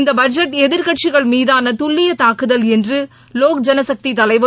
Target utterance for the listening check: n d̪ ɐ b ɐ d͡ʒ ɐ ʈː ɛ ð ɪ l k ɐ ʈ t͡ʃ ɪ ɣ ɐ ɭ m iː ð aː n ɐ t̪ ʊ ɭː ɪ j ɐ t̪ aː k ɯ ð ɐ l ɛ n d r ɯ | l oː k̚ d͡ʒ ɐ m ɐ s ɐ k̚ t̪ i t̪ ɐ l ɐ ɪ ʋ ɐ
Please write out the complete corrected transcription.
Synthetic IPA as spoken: n d̪ ɐ b ɐ d͡ʒ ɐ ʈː ɛ ð ɪ ɾ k ɐ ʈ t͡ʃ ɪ ɣ ɐ ɭ m iː ð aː n ɐ t̪ ʊ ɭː ɪ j ɐ t̪ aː k ɯ ð ɐ l ɛ n d r ɯ | l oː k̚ d͡ʒ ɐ n ɐ s ɐ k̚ t̪ i t̪ ɐ l ɐ ɪ ʋ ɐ